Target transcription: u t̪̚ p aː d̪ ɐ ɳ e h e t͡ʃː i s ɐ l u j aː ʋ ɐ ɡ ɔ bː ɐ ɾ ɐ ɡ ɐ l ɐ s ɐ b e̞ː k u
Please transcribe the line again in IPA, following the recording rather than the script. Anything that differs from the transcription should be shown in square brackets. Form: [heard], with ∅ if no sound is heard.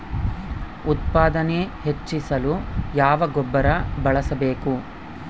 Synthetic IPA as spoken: u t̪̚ p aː d̪ ɐ [n] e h e t͡ʃː i s ɐ l u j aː ʋ ɐ ɡ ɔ bː ɐ ɾ ɐ [b] ɐ [ɭ] ɐ s ɐ b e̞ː k u